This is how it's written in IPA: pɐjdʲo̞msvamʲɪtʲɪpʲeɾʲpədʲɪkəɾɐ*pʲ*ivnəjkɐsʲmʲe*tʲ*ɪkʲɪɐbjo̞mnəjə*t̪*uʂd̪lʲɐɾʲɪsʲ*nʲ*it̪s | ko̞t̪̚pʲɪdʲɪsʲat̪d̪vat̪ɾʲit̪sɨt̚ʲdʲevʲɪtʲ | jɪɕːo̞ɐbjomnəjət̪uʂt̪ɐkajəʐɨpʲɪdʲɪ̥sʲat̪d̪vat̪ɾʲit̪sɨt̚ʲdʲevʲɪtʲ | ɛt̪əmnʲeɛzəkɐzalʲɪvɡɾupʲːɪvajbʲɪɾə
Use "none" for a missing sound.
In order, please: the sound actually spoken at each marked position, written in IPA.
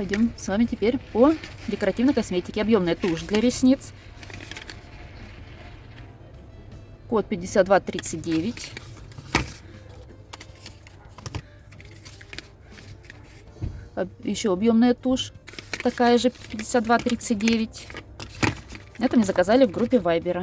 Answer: tʲ, tʲ, t̪, nʲ

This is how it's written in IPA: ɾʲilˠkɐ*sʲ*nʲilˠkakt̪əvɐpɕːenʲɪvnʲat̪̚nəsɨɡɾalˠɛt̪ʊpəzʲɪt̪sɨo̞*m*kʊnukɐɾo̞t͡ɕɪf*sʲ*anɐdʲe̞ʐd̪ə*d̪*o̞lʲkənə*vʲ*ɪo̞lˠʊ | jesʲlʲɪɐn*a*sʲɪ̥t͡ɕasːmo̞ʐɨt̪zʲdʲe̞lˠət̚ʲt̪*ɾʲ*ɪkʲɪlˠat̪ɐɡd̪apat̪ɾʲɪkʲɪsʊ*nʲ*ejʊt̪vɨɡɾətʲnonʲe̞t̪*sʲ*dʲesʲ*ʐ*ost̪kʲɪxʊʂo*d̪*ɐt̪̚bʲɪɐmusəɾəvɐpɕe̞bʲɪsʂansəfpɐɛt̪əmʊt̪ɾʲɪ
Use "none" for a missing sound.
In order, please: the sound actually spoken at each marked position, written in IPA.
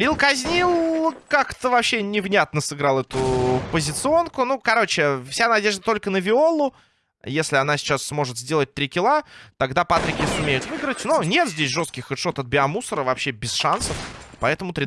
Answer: zʲ, n, sʲ, t̪, vʲ, a, ɾʲ, mʲ, zʲ, ʐ, t̪

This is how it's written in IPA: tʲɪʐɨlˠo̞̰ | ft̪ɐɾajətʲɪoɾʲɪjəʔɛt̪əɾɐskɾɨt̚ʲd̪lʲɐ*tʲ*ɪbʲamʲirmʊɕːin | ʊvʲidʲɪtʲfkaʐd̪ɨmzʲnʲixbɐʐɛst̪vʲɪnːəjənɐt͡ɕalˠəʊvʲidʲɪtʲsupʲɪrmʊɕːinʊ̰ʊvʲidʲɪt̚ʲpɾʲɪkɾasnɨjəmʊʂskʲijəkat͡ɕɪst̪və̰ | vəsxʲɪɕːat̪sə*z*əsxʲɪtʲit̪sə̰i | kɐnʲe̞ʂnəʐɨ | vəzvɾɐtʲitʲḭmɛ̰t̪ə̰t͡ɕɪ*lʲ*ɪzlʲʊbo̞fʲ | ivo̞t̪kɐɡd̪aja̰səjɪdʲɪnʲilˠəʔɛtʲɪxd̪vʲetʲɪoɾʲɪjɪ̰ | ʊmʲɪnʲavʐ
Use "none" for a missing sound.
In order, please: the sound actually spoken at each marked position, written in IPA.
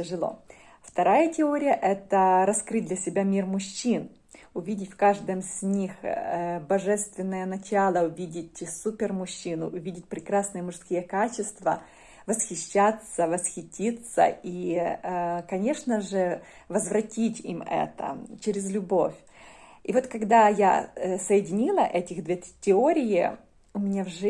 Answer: sʲ, v, ɾʲ

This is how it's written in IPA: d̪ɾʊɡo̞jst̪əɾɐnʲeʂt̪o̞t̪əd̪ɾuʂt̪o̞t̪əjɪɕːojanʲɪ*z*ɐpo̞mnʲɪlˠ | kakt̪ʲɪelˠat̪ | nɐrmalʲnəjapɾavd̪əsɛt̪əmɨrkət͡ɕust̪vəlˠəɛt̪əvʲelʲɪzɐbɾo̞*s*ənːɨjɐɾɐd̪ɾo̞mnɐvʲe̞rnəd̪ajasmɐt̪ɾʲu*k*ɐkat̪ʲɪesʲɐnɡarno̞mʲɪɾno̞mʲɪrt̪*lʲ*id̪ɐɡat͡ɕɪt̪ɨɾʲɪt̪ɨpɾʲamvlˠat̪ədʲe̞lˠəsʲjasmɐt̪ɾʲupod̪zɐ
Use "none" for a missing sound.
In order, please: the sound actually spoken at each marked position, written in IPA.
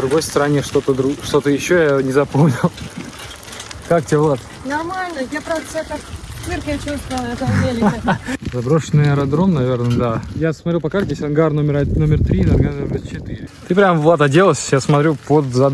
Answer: z, ʂ, p, ɾʲ

